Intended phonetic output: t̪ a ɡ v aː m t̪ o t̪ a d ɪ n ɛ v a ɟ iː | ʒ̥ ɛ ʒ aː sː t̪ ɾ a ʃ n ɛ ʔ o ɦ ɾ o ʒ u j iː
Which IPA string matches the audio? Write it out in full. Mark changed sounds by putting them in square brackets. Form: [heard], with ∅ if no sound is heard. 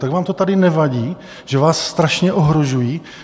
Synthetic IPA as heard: t̪ a ɡ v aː m t̪ o t̪ a d ɪ n ɛ v a ɟ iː | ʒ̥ ɛ [v] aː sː t̪ ɾ a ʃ [ɲ] ɛ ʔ o ɦ ɾ o ʒ u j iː